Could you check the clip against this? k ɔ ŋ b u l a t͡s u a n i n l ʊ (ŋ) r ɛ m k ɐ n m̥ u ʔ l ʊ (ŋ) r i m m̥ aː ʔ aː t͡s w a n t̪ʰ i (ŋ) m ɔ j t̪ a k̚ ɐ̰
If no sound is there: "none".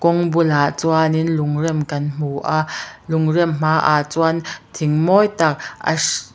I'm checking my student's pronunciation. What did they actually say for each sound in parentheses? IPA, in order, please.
ŋ, ŋ, ŋ

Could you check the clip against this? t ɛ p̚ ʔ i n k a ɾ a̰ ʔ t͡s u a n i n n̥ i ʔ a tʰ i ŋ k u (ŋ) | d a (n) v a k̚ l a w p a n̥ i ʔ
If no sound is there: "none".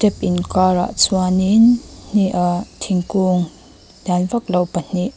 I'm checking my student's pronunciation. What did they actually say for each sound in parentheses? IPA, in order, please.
ŋ, n

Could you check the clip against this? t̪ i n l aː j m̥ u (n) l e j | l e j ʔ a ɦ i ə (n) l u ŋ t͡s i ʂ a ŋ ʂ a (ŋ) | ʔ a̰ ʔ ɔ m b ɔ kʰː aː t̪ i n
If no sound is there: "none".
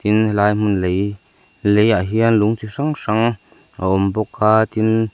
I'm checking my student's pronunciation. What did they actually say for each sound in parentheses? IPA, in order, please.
n, n, ŋ

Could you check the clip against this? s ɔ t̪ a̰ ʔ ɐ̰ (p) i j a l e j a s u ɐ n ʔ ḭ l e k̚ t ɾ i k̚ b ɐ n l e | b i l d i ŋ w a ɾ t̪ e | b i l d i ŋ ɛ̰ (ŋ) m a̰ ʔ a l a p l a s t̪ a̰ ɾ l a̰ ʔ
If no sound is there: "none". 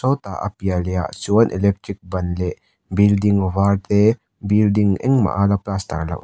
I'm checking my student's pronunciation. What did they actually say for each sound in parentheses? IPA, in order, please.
p, ŋ

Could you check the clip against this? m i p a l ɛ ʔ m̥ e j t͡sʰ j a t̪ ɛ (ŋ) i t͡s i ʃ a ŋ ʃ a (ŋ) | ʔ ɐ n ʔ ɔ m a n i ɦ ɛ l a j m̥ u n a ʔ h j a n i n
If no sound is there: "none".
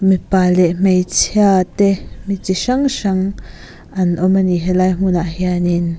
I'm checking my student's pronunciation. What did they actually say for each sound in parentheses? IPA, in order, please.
m, ŋ

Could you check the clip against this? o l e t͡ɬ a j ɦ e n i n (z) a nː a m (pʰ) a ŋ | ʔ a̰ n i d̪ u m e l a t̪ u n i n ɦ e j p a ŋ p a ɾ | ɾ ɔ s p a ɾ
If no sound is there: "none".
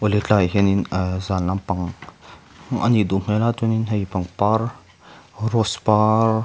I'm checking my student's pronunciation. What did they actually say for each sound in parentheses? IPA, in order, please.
z, p

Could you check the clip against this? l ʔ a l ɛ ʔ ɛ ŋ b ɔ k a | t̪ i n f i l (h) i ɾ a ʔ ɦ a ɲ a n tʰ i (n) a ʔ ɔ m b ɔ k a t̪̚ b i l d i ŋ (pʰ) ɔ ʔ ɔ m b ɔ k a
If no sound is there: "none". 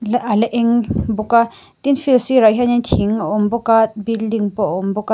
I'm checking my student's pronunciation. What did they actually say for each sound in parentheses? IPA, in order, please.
s, ŋ, p

